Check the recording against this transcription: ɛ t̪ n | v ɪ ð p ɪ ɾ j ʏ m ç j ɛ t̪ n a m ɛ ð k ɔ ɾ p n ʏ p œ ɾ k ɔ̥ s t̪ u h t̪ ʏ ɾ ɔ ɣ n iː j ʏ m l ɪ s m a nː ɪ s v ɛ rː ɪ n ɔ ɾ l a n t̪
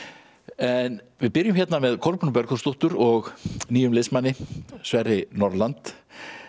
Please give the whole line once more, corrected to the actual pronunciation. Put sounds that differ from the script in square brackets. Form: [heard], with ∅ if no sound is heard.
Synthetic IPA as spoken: ɛ [∅] n | v ɪ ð p ɪ ɾ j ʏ m ç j ɛ t̪ n a m ɛ ð [kʰ] ɔ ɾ p n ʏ p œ ɾ k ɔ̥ s t̪ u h t̪ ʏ ɾ ɔ ɣ n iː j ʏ m l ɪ s m a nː ɪ s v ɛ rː ɪ n ɔ ɾ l a n t̪